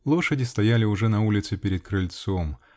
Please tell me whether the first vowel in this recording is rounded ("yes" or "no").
yes